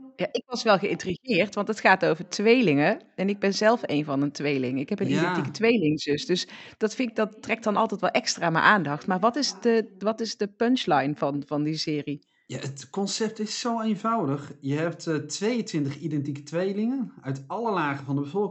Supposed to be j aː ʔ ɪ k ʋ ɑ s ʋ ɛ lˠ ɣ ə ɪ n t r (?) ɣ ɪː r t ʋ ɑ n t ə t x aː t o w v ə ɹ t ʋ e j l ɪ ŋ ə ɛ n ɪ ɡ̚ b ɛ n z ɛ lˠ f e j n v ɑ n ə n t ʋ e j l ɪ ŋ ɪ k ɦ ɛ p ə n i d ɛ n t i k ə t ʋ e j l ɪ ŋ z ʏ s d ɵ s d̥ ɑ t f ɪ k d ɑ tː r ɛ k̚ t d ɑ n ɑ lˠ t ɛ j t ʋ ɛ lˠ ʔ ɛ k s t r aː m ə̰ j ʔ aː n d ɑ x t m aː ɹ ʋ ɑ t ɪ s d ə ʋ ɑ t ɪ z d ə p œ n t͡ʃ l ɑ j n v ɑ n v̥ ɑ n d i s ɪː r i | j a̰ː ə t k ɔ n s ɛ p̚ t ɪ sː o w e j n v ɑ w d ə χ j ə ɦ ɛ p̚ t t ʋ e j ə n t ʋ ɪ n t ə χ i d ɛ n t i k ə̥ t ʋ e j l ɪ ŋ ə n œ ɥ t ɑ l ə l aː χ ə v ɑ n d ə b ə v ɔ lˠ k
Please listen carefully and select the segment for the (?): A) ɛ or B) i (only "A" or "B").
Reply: B